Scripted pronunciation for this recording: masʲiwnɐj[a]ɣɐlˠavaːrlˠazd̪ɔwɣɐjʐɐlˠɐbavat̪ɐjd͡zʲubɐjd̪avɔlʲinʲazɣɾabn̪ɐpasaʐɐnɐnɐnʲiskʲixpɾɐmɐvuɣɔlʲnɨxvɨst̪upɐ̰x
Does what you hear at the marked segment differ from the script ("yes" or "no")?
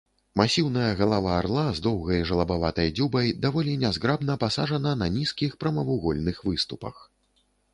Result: yes